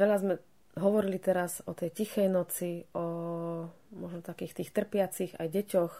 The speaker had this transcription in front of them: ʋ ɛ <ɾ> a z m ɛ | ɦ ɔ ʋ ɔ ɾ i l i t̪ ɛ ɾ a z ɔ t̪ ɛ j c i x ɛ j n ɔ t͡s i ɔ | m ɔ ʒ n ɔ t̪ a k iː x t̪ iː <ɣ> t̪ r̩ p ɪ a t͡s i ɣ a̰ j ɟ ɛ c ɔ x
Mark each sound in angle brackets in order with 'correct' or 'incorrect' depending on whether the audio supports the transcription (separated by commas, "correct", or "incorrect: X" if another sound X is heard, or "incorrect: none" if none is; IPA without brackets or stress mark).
incorrect: ʎ, incorrect: x